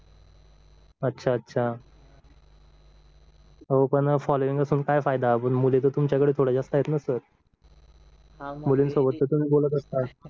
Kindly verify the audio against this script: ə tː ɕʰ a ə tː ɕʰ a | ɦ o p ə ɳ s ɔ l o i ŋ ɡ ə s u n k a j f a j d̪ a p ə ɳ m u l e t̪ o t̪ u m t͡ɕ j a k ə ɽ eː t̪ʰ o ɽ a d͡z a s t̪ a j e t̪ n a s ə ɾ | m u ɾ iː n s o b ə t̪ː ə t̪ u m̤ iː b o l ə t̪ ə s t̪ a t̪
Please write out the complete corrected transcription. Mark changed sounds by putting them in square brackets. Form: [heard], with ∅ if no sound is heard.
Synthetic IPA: ə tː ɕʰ a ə tː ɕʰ a | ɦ o p ə ɳ [f] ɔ l o i ŋ ɡ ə s [uː] n k a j f a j d̪ a p ə ɳ m u l e t̪ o t̪ u m t͡ɕ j a k ə ɽ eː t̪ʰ o ɽ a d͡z a s t̪ a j e t̪ n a s ə ɾ | m u [l] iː n s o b ə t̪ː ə t̪ u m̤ iː b o l ə t̪ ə s t̪ a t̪

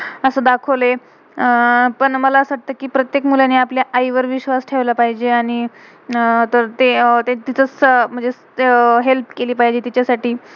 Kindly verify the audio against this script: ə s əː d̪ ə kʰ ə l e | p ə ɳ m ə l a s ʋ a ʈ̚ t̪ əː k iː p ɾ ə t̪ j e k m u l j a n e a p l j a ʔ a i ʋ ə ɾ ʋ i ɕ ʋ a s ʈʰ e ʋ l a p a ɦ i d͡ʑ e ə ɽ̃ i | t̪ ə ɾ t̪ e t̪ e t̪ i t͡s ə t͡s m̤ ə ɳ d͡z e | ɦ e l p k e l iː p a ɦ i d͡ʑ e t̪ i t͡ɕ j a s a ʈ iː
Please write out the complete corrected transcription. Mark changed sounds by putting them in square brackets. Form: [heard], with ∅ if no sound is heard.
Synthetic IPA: ə s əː d̪ [a] kʰ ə l e | p ə ɳ m ə l a s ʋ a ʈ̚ t̪ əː k iː p ɾ ə t̪ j e k m u l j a n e a p l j a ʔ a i ʋ ə ɾ ʋ i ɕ ʋ a s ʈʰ e ʋ l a p a ɦ i d͡ʑ e [a] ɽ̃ i | t̪ ə ɾ t̪ e t̪ e t̪ i t͡s ə t͡s m̤ ə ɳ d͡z e | ɦ e l p k e l iː p a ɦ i d͡ʑ e t̪ i t͡ɕ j a s a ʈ iː

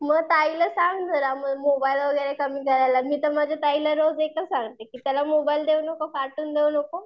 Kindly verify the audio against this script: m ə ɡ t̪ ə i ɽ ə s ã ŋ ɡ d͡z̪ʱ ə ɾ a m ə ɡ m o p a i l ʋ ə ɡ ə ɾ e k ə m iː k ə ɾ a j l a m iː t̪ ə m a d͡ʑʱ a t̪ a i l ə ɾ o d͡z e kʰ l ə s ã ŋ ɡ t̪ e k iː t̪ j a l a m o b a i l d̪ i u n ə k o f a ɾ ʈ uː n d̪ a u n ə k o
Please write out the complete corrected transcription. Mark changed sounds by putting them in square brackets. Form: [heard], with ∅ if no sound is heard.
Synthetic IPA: m ə ɡ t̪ [a] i [l] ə s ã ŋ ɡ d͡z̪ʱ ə ɾ a m ə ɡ m o [b] a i l ʋ ə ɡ ə ɾ e k ə m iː k ə ɾ a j l a m iː t̪ ə m a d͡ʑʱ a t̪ a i l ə ɾ o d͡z e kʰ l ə s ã ŋ ɡ t̪ e k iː t̪ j a l a m o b a i l d̪ [e] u n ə k o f a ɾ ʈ uː n d̪ [e] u n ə k o

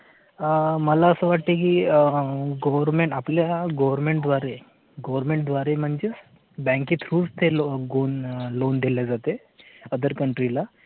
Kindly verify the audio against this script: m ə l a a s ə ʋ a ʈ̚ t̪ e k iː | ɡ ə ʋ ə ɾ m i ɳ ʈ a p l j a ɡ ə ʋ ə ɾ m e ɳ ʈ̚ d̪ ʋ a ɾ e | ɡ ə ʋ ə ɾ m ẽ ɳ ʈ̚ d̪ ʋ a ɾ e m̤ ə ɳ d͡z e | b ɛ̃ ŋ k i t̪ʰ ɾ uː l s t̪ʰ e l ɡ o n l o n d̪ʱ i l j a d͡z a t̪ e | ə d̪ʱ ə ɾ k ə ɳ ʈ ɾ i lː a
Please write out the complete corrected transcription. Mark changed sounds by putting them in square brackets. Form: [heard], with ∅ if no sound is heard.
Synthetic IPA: m ə l a [ə] s ə ʋ a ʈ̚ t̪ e k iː | ɡ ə ʋ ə ɾ m [e] ɳ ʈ a p l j a ɡ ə ʋ ə ɾ m e ɳ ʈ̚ d̪ ʋ a ɾ e | ɡ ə ʋ ə ɾ m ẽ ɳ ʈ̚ d̪ ʋ a ɾ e m̤ ə ɳ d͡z e | b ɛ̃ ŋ k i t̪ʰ ɾ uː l s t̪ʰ e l ɡ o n l o n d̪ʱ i l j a d͡z a t̪ e | ə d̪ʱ ə ɾ k ə ɳ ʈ ɾ i [l] a

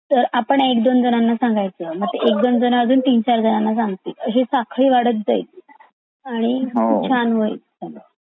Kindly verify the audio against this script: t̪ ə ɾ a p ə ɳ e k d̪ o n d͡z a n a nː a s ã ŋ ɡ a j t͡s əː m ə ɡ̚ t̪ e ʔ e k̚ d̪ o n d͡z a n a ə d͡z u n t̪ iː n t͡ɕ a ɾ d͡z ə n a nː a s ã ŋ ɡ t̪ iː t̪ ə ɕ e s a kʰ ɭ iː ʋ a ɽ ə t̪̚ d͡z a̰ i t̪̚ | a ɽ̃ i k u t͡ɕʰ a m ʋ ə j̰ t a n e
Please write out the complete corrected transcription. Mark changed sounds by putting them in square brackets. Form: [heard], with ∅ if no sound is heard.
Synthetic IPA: t̪ ə ɾ a p ə ɳ e k d̪ o n d͡z [ə] n a nː a s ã ŋ ɡ a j t͡s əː m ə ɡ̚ t̪ e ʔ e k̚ d̪ o n d͡z [ə] n a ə d͡z [uː] n t̪ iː n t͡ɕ a ɾ d͡z ə n a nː a s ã ŋ ɡ t̪ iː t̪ ə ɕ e s a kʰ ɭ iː ʋ a ɽ ə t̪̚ d͡z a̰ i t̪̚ | a ɽ̃ i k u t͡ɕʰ a [n] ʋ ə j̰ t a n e

